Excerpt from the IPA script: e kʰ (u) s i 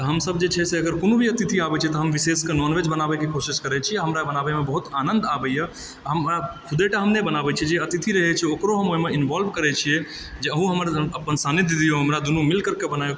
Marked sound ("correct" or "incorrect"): incorrect